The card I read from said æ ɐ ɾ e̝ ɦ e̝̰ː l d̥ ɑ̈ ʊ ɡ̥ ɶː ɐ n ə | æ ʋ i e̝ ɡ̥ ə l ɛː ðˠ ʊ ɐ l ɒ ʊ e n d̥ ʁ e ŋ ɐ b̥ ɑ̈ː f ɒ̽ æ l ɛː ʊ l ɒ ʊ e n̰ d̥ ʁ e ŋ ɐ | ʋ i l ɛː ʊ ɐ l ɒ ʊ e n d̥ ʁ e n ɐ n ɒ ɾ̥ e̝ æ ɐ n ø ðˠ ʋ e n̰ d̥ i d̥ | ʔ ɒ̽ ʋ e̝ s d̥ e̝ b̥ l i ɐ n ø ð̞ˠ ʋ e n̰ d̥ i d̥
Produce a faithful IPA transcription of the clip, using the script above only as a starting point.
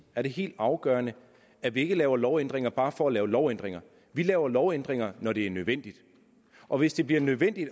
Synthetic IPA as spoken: æ ɐ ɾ e̝ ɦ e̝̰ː l d̥ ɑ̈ ʊ ɡ̥ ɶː ɐ n ə | æ ʋ i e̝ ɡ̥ ə l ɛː ʊ ɐ l ɒ ʊ e n d̥ ʁ e ŋ ɐ b̥ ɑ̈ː f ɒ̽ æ l ɛː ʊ l ɒ ʊ e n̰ d̥ ʁ e ŋ ɐ | ʋ i l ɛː ʊ ɐ l ɒ ʊ e n d̥ ʁ e ŋ ɐ n ɒ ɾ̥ e̝ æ ɐ n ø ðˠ ʋ e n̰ d̥ i d̥ | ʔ ɒ̽ ʋ e̝ s d̥ e̝ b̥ l i ɐ n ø ð̞ˠ ʋ e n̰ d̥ i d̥